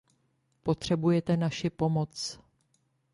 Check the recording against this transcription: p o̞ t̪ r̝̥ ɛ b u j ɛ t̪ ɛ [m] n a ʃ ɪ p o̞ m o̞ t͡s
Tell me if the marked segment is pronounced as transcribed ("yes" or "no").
no